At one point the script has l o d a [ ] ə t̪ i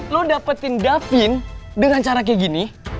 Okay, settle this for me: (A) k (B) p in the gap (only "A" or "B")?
B